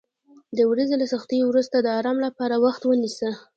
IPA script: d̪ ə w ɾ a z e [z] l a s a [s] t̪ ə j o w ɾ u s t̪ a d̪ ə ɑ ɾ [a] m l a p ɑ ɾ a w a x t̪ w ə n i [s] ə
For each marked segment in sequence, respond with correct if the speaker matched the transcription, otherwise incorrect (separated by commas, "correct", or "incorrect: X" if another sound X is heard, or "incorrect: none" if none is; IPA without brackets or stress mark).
incorrect: none, incorrect: x, incorrect: ɑ, correct